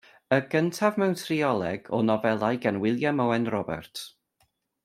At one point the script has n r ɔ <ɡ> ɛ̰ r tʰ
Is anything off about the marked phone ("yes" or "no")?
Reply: yes